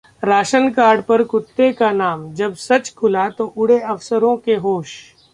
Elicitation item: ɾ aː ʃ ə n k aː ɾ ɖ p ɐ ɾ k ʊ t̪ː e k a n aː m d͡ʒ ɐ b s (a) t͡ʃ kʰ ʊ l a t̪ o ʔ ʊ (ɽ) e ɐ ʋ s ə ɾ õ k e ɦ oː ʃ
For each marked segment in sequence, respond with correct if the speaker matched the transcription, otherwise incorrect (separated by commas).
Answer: incorrect, correct